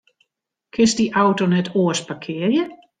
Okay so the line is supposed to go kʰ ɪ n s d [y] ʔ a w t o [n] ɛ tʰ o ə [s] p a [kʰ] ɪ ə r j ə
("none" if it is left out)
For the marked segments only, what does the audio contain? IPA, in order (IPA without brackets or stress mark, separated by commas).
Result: i, n, s, kʰ